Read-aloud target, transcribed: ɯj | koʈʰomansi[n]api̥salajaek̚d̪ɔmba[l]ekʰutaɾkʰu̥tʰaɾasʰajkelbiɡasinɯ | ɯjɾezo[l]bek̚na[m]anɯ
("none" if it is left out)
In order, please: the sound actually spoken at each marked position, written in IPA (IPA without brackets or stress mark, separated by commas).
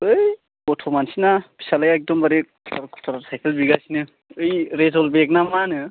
n, ɾ, l, m